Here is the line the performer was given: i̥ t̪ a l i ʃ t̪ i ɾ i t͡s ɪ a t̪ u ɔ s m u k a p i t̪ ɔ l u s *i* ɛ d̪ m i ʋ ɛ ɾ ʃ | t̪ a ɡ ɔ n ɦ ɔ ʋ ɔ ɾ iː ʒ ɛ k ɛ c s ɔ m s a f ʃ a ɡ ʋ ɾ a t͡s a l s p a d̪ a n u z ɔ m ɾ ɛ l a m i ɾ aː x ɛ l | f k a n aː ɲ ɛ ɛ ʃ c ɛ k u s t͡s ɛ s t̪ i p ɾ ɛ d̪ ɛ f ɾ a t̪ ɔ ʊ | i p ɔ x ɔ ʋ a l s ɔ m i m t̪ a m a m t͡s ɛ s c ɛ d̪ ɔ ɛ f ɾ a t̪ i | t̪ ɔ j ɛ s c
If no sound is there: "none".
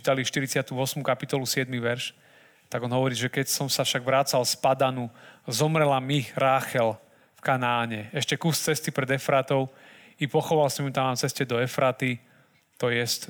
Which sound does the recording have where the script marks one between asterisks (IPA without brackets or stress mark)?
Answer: ɪ